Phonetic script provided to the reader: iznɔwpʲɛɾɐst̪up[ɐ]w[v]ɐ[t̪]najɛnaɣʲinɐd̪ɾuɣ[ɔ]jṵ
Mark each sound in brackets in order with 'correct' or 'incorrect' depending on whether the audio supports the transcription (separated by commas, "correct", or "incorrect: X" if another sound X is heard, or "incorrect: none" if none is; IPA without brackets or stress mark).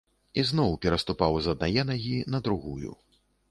incorrect: a, incorrect: z, incorrect: d̪, incorrect: u